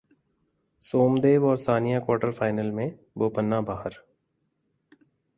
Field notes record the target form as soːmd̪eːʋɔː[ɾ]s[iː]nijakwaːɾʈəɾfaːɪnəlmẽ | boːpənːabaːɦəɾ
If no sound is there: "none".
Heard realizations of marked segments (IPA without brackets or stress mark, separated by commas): ɾ, aː